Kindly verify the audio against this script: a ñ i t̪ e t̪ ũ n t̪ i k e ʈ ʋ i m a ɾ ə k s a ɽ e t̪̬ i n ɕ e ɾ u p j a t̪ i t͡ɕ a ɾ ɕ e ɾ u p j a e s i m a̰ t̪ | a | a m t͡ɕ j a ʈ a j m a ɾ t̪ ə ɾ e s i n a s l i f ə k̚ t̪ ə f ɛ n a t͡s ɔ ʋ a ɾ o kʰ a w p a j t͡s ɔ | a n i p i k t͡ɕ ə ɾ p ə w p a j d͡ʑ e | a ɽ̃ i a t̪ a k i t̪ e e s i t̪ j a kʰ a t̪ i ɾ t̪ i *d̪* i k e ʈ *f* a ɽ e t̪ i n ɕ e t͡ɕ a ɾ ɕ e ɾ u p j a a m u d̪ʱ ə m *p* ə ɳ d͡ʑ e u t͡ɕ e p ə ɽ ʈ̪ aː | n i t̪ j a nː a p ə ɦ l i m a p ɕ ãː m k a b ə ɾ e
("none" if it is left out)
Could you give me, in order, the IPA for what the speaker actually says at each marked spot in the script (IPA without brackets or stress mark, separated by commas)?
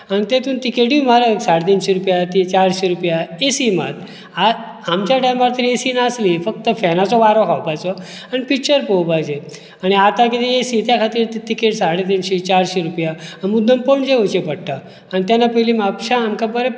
t̪, s, p